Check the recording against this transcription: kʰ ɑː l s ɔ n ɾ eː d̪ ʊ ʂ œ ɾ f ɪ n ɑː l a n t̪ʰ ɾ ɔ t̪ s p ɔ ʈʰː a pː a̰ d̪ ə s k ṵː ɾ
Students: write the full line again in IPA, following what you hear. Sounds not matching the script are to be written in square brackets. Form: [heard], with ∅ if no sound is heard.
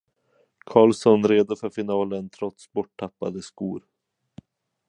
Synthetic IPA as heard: kʰ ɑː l s ɔ n ɾ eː d̪ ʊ [f] œ ɾ f ɪ n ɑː l [ə] n t̪ʰ ɾ ɔ t̪ s [b] ɔ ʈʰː a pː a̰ d̪ ə s k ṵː ɾ